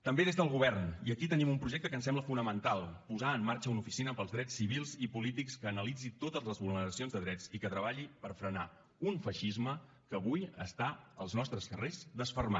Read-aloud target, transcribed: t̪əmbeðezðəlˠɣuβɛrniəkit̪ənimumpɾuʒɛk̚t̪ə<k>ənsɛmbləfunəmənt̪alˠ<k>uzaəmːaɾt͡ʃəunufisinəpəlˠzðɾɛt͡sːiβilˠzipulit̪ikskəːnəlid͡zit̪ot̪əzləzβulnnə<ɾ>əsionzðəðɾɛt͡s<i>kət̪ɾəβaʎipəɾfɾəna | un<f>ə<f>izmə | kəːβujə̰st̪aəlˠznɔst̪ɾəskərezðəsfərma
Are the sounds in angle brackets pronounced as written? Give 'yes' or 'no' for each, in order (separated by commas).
yes, no, yes, yes, yes, no